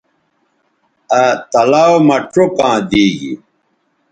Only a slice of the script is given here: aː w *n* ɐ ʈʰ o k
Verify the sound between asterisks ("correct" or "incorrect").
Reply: incorrect